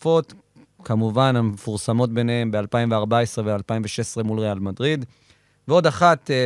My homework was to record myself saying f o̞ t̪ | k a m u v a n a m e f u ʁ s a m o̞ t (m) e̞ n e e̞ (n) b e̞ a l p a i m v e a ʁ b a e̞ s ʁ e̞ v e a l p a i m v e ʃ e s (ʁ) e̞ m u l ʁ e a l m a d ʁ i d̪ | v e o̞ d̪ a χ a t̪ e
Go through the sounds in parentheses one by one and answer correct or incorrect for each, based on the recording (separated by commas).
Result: incorrect, incorrect, correct